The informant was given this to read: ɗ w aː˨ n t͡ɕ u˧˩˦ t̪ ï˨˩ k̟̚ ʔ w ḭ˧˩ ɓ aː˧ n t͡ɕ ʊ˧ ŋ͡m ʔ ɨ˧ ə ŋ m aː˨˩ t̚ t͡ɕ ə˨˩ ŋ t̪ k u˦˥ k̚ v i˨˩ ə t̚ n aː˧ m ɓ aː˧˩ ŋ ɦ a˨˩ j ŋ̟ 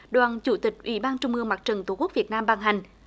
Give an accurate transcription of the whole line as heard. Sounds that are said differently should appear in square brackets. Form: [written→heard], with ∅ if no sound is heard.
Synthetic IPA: ɗ w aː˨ n t͡ɕ u˧˩˦ t̪ ï˨˩ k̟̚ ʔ w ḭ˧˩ ɓ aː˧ n t͡ɕ ʊ˧ ŋ͡m ʔ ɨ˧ ə ŋ m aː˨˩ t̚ t͡ɕ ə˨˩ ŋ t̪ k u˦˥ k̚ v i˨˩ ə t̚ n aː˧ m ɓ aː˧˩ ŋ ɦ a˨˩ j ŋ̟

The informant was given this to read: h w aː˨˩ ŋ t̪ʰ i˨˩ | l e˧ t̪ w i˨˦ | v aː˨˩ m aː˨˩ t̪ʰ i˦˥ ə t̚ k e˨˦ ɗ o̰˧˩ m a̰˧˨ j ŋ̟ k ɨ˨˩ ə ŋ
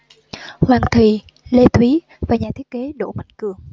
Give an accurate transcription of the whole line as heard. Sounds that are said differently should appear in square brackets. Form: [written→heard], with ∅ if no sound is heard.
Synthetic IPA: h w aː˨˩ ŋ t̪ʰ i˨˩ | l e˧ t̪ w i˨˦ | v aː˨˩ [m→ɲ] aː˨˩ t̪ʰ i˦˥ ə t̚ k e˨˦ ɗ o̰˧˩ m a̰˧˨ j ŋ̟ k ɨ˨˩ ə ŋ

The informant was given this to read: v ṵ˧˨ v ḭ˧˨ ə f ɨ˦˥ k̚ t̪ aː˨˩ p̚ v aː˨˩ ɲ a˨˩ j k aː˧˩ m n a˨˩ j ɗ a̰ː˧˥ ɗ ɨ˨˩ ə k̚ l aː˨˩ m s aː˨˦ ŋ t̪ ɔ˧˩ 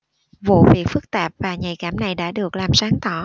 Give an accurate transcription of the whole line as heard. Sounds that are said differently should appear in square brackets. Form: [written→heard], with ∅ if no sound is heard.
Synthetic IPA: v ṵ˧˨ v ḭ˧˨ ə f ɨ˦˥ k̚ t̪ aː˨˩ p̚ v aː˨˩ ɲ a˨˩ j k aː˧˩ m n a˨˩ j ɗ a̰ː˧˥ ɗ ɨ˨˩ ə k̚ l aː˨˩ m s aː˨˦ ŋ t̪ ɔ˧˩

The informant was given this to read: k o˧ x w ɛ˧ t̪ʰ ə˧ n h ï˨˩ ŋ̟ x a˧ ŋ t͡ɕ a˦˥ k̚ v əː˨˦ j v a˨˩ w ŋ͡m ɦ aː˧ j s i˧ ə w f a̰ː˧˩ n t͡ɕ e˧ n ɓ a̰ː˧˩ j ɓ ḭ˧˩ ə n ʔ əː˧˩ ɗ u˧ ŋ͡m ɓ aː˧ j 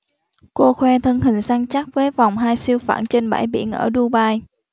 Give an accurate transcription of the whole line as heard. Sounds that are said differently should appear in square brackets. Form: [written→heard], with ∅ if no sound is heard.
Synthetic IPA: k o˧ x w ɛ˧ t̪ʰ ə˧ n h ï˨˩ ŋ̟ [x→s] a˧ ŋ t͡ɕ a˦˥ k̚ v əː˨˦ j v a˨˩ w ŋ͡m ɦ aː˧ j s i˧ ə w f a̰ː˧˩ n t͡ɕ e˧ n ɓ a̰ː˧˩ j ɓ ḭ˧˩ ə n ʔ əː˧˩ ɗ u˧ [ŋ͡m→∅] ɓ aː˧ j

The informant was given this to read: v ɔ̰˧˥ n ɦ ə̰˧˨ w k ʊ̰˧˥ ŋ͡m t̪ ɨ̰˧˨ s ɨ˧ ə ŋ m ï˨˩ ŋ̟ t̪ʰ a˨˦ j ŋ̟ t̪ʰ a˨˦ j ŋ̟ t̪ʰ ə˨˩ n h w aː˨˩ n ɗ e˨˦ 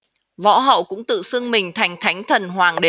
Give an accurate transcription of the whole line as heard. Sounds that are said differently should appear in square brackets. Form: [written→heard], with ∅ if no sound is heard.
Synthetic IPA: v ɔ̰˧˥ [n→∅] ɦ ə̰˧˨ w k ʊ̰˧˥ ŋ͡m t̪ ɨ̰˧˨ s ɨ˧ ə ŋ m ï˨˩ ŋ̟ t̪ʰ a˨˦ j ŋ̟ t̪ʰ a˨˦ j ŋ̟ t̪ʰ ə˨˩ n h w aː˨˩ [n→ŋ] ɗ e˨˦

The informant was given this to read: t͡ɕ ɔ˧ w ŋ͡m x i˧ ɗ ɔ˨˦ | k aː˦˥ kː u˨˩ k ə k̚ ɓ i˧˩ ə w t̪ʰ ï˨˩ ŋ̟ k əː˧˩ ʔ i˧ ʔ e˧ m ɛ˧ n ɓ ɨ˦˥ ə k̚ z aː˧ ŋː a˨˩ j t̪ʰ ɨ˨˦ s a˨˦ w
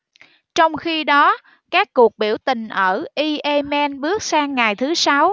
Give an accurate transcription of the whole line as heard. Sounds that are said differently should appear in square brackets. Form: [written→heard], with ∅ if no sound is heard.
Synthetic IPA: t͡ɕ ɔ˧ w ŋ͡m x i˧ ɗ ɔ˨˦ | k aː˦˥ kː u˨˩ [k→∅] ə k̚ ɓ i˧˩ ə w [t̪ʰ→t̪] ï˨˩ ŋ̟ [k→ʔ] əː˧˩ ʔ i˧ ʔ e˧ m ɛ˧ n ɓ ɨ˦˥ ə k̚ [z→s] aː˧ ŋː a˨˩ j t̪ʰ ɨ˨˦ s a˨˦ w

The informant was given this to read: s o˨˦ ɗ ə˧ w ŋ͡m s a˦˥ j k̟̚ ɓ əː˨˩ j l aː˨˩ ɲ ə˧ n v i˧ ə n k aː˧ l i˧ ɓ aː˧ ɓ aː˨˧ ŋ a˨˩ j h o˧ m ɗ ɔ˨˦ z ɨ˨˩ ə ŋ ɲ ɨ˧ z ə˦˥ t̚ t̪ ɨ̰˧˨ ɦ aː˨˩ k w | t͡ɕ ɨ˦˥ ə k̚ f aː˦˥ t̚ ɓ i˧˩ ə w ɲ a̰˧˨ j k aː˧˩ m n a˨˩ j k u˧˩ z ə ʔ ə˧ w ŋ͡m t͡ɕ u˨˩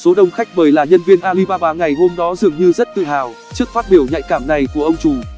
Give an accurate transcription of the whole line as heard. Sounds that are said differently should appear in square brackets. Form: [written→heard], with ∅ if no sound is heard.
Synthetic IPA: s o˨˦ ɗ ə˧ w ŋ͡m [s→x] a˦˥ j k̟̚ ɓ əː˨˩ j l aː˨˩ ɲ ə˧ n v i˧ ə n [k→ʔ] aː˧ l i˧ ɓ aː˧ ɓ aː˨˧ ŋ a˨˩ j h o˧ m ɗ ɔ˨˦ z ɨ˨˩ ə ŋ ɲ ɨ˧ z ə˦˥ t̚ t̪ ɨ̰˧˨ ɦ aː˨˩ [k→∅] w | t͡ɕ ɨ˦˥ ə k̚ f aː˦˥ t̚ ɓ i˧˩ ə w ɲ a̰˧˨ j k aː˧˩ m n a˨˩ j k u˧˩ [z→∅] ə ʔ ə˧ w ŋ͡m t͡ɕ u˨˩

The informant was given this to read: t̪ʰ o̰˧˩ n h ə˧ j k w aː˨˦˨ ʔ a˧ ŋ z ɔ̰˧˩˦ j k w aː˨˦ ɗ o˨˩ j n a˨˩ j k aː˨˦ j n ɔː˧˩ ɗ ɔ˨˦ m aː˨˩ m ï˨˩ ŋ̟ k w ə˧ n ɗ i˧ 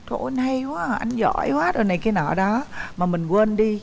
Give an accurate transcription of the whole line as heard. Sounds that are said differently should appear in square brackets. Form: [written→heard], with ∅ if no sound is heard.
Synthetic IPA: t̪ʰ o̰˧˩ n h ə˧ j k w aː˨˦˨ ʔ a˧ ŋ z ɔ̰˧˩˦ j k w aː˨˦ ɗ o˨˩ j n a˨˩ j k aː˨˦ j n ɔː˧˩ ɗ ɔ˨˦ m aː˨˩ m ï˨˩ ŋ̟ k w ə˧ n ɗ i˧

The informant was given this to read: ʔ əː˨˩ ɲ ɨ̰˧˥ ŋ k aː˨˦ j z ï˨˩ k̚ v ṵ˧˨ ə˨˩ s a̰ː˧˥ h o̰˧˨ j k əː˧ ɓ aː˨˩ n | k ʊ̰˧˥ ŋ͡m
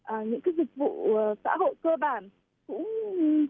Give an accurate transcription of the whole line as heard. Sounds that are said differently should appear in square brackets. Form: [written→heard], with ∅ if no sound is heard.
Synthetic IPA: ʔ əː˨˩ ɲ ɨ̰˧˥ ŋ k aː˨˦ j z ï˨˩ k̚ v ṵ˧˨ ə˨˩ s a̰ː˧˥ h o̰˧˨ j k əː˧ ɓ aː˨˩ n | k ʊ̰˧˥ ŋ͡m

